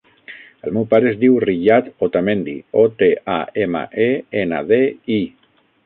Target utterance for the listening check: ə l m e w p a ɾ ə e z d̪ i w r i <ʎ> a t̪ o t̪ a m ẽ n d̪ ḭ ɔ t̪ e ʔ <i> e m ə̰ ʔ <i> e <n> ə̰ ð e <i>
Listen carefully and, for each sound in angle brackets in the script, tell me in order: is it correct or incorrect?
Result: correct, incorrect: a, incorrect: e, correct, correct

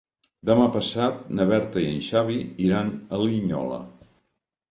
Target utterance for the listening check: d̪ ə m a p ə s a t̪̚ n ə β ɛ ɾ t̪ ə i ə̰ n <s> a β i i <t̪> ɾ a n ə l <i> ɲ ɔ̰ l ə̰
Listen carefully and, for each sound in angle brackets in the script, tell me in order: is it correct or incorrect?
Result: incorrect: ʃ, incorrect: none, correct

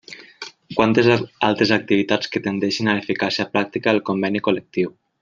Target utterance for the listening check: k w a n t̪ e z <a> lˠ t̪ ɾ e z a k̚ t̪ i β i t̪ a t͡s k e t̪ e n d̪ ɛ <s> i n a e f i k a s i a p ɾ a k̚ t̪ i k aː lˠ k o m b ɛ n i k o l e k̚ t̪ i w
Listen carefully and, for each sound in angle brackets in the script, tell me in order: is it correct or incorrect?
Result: correct, incorrect: ʃ

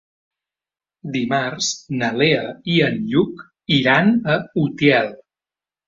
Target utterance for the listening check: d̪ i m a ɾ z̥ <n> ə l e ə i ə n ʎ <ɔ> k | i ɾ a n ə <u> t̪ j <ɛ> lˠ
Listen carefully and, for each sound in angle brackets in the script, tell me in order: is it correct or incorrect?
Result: correct, incorrect: u, correct, correct

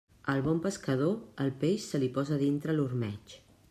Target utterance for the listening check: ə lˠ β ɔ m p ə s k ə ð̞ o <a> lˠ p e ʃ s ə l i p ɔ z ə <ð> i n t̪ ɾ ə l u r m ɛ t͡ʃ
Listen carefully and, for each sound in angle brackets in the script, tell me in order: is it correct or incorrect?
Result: incorrect: ə, correct

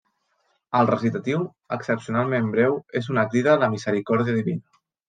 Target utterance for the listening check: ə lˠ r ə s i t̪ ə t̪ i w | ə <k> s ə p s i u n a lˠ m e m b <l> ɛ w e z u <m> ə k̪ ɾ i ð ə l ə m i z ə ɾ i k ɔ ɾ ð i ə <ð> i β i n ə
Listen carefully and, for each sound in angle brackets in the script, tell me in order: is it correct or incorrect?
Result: correct, incorrect: ɾ, incorrect: n, correct

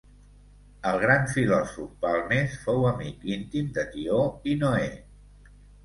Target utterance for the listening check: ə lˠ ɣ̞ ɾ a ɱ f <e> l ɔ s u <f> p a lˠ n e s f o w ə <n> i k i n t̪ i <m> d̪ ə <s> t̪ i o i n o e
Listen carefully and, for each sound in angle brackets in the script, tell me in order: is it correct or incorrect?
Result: incorrect: i, correct, incorrect: m, correct, incorrect: none

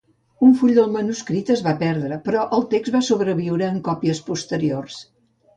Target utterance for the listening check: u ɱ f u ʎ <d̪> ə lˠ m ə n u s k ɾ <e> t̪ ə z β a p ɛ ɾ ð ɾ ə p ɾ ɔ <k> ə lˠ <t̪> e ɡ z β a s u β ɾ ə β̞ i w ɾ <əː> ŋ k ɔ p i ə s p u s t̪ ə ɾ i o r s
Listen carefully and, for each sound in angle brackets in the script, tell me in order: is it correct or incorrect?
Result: correct, incorrect: i, incorrect: ʔ, correct, correct

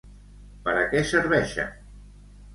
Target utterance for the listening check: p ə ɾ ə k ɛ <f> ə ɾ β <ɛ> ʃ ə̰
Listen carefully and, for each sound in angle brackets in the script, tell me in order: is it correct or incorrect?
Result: incorrect: s, correct

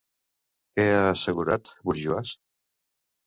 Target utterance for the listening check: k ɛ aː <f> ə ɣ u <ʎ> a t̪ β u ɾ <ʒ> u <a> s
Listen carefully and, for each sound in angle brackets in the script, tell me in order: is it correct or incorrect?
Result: incorrect: s, incorrect: ɾ, correct, correct

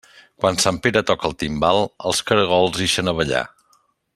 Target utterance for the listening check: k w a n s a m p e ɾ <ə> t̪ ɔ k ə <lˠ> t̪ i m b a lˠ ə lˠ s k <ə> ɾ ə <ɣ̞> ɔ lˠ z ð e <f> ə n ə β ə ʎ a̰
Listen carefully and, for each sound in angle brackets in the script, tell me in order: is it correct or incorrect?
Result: correct, correct, correct, correct, incorrect: ʃ

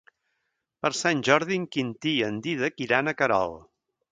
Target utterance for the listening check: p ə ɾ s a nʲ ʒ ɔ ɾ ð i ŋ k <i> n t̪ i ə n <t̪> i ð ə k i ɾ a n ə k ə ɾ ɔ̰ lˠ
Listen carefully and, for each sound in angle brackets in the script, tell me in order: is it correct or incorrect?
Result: correct, incorrect: d̪

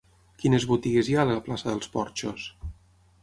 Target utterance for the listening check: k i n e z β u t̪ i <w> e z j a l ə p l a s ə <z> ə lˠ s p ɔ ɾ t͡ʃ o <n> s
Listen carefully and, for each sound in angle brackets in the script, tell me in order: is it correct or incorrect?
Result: incorrect: ɣ, incorrect: ð, incorrect: none

